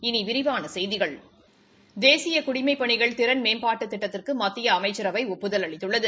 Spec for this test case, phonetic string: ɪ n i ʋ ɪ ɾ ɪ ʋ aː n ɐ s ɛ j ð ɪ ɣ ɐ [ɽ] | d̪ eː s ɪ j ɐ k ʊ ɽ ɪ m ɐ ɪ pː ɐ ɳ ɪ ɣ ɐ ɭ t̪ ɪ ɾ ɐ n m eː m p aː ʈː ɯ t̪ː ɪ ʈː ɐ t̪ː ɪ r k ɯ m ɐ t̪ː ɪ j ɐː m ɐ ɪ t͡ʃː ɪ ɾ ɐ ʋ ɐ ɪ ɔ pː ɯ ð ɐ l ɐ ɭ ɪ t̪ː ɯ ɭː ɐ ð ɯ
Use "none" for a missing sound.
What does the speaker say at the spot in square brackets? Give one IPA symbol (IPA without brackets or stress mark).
ɭ